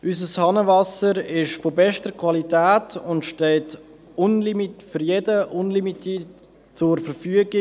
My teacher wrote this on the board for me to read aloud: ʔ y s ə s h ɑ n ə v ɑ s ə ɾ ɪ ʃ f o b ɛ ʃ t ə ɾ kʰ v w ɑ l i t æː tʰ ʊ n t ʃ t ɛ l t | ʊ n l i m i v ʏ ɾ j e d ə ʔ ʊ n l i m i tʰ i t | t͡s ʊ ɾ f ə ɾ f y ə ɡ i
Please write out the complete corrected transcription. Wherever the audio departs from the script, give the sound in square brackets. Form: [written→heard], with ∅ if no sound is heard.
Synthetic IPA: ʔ y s ə s h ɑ n ə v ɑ s ə ɾ ɪ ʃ f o b ɛ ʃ t ə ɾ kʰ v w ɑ l i t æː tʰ ʊ n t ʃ t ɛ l t | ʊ n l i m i [v→f] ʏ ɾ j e d ə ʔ ʊ n l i m i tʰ i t | t͡s ʊ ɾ f ə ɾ f y ə ɡ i